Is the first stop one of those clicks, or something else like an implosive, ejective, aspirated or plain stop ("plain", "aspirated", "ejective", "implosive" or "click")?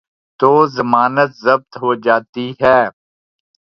plain